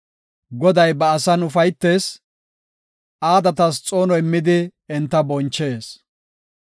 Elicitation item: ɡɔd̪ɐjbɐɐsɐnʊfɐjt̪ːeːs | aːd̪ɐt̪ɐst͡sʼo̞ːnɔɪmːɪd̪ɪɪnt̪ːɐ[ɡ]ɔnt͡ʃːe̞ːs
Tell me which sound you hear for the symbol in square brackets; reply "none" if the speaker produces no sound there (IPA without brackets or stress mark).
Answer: b